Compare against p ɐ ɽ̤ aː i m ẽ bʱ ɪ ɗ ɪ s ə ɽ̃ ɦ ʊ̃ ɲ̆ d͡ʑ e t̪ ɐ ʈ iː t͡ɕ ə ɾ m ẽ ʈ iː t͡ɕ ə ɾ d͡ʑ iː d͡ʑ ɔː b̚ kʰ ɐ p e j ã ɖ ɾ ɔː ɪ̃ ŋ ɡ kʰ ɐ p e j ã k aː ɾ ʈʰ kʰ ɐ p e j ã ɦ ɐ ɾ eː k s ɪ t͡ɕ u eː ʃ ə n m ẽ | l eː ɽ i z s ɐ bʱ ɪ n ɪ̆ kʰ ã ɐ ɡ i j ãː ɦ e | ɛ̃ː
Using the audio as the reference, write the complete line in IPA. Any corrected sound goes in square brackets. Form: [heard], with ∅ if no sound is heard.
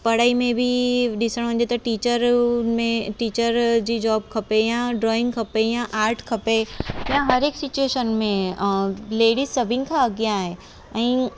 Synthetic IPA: p ɐ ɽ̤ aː i m ẽ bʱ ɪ ɗ ɪ s ə ɽ̃ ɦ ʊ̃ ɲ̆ d͡ʑ e t̪ ɐ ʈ iː t͡ɕ ə ɾ m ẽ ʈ iː t͡ɕ ə ɾ d͡ʑ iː d͡ʑ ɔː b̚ kʰ ɐ p e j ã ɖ ɾ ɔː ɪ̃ ŋ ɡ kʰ ɐ p e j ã [ʔ] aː ɾ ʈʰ kʰ ɐ p e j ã ɦ ɐ ɾ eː k s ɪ t͡ɕ u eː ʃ ə n m ẽ | l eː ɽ i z s ɐ bʱ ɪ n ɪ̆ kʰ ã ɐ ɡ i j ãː ɦ e | ɛ̃ː

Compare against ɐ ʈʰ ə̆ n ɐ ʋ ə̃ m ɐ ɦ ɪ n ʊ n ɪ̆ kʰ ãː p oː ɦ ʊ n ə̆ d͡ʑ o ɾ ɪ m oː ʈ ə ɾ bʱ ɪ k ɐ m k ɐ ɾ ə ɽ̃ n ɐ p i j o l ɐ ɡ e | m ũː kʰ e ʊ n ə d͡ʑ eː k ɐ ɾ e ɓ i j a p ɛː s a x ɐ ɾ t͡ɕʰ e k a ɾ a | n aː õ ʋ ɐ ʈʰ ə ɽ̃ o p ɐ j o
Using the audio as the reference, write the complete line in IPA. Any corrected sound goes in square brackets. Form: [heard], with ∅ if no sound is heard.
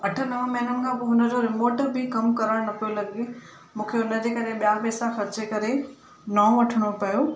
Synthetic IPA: ɐ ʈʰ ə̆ n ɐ ʋ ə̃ m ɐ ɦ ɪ n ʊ n ɪ̆ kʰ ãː p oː ɦ ʊ n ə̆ d͡ʑ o ɾ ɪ m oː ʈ ə ɾ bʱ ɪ k ɐ m k ɐ ɾ ə ɽ̃ n ɐ p i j o l ɐ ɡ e | m ũː kʰ e ʊ n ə d͡ʑ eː k ɐ ɾ e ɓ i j a p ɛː s a x ɐ ɾ [t͡ɕ] e k [ɐ] ɾ [e] | n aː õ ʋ ɐ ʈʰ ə ɽ̃ o p ɐ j o

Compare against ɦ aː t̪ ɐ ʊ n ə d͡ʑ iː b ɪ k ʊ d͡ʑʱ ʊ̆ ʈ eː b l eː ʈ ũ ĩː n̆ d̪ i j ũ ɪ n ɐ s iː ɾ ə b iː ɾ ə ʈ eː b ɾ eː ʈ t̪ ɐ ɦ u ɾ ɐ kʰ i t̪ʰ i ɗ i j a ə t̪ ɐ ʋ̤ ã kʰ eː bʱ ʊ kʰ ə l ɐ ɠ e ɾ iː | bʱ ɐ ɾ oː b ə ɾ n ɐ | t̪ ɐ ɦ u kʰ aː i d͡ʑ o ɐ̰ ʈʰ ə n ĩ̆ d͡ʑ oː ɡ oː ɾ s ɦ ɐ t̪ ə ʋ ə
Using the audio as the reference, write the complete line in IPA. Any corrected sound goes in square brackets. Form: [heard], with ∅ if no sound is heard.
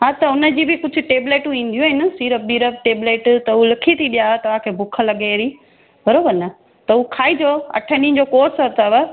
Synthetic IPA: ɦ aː t̪ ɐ ʊ n ə d͡ʑ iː b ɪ k ʊ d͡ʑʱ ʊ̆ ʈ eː b l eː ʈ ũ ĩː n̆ d̪ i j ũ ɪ n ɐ s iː ɾ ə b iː ɾ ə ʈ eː b [l] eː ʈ t̪ ɐ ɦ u [l] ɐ kʰ i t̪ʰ i ɗ i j a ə t̪ ɐ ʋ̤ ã kʰ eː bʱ ʊ kʰ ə l ɐ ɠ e ɾ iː | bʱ ɐ ɾ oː b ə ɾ n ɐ | t̪ ɐ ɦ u kʰ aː i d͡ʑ o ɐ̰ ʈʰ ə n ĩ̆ d͡ʑ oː [k] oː ɾ s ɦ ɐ t̪ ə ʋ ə

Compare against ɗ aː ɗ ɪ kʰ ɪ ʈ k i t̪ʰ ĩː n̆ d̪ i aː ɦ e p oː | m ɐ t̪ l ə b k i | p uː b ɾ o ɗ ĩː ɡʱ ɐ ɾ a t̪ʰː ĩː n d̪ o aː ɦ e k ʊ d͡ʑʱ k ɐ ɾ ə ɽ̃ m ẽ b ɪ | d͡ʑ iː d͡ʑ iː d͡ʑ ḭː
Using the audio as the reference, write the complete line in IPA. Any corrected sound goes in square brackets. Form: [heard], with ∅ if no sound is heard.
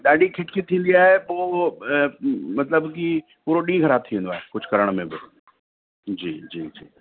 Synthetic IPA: ɗ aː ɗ [i] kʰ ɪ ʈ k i t̪ʰ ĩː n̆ d̪ i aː ɦ e p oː | m ɐ t̪ l ə b k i | p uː [∅] ɾ o ɗ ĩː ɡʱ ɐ ɾ a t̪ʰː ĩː n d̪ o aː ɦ e k ʊ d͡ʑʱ k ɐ ɾ ə ɽ̃ m ẽ b ɪ | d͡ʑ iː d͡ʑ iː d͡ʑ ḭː

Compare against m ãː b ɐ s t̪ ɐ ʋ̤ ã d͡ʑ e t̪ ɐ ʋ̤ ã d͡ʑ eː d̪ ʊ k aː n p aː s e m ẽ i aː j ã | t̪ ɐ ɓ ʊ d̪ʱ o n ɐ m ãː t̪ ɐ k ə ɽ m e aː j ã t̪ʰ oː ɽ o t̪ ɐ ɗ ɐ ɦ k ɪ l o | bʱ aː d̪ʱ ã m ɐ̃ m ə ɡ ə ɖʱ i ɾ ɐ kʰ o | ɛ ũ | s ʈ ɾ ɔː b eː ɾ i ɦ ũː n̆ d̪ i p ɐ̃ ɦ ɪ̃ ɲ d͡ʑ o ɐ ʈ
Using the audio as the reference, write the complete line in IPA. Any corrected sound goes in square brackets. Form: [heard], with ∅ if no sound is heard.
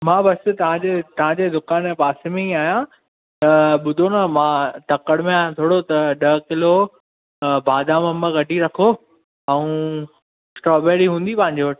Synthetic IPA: m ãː b ɐ s t̪ ɐ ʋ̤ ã d͡ʑ e t̪ ɐ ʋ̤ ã d͡ʑ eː d̪ ʊ k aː n p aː s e m ẽ i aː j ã | t̪ ɐ ɓ ʊ d̪ʱ o n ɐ m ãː t̪ ɐ k ə ɽ m [ẽ] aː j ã t̪ʰ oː ɽ o t̪ ɐ ɗ ɐ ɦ k ɪ l o | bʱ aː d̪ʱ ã m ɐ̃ m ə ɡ [ɐ] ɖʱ i ɾ ɐ kʰ o | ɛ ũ | s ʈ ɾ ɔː b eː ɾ i ɦ ũː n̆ d̪ i p ɐ̃ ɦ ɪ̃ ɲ d͡ʑ o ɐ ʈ

